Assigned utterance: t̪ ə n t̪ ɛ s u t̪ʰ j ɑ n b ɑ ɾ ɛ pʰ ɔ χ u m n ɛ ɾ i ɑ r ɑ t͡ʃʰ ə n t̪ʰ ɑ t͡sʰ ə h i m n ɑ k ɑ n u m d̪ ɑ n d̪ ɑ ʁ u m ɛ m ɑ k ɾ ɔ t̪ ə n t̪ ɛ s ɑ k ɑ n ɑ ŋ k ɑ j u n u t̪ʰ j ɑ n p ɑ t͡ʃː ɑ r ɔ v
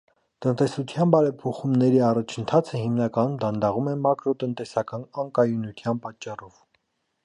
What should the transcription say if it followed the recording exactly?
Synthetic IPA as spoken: t̪ ə n t̪ ɛ s u t̪ʰ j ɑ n b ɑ ɾ ɛ pʰ ɔ χ u m n ɛ ɾ i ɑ r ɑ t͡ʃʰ ə n t̪ʰ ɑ t͡sʰ ə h i m n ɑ k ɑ n u m d̪ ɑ n d̪ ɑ ʁ u m ɛ m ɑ k ɾ ɔ t̪ ə n t̪ ɛ s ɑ k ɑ n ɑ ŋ k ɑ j u n u t̪ʰ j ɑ n p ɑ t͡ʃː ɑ r ɔ v

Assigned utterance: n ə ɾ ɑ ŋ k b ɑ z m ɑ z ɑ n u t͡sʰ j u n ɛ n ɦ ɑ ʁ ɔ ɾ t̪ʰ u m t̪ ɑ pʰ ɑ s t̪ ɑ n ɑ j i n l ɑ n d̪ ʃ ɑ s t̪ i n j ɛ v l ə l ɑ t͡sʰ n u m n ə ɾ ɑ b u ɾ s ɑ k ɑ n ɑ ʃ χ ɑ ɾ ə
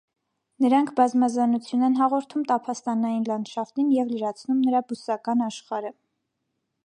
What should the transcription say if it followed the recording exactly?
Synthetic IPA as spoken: n ə ɾ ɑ ŋ kʰ b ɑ z m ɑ z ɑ n u t͡sʰ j u n ɛ n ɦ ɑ ʁ ɔ ɾ t̪ʰ u m t̪ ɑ pʰ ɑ s t̪ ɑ n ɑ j i n l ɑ n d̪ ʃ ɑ f t̪ i n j ɛ v l ə ɾ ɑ t͡sʰ n u m n ə ɾ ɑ b u s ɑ k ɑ n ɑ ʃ χ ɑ ɾ ə

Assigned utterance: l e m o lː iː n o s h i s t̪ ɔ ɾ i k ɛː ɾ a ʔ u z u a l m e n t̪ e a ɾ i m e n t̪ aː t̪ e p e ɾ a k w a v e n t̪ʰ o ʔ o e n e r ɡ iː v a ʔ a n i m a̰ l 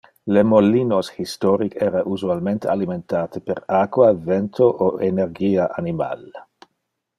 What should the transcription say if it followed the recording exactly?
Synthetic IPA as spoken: l e m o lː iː n o s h i s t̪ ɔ ɾ i k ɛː ɾ a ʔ u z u a l m e n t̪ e a l i m e n t̪ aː t̪ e p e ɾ a k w a v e n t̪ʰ o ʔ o e n e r ɡ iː a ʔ a n i m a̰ l

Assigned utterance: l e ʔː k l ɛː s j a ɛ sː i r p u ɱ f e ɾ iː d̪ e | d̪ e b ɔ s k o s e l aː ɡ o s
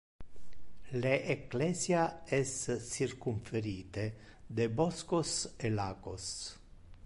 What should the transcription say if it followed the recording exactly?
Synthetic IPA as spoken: l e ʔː k l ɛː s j a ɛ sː i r k u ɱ f e ɾ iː t̪ e | d̪ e b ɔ s k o s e l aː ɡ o s

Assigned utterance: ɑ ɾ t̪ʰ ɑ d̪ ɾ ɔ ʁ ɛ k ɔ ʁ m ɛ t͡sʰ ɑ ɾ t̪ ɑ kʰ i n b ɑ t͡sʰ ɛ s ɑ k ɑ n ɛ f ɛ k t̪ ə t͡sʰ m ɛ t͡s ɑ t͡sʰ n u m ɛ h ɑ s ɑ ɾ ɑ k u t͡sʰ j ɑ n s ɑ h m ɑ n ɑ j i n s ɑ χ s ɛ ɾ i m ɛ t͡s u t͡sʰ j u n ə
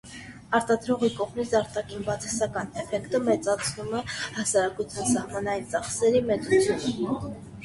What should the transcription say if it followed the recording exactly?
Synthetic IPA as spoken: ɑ ɾ t̪ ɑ d̪ ɾ ɔ ʁ i k ɔ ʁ m i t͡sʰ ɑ ɾ t̪ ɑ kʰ i n b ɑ t͡sʰ ɛ s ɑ k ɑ n ɛ f ɛ k t̪ ə m ɛ t͡s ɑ t͡sʰ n u m ɛ h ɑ s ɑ ɾ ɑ k u t͡sʰ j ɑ n s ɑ h m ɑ n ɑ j i n t͡s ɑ χ s ɛ ɾ i m ɛ t͡s u t͡sʰ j u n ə

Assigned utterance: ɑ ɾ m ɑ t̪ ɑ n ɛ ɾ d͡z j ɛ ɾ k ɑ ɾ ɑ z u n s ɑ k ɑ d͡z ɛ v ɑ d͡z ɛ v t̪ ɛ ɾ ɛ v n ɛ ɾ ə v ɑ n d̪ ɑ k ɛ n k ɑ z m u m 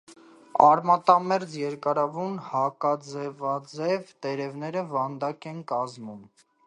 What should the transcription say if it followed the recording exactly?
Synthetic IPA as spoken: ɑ ɾ m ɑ t̪ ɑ m ɛ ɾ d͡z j ɛ ɾ k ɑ ɾ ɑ v u n h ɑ k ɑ d͡z ɛ v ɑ d͡z ɛ v t̪ ɛ ɾ ɛ v n ɛ ɾ ə v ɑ n d̪ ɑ k ɛ n k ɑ z m u m

